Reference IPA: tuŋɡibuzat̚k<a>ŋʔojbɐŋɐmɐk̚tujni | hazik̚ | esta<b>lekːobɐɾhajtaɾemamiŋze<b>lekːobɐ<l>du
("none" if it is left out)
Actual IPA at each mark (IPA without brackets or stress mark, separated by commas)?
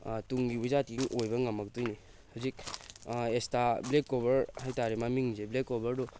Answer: i, b, b, ɾ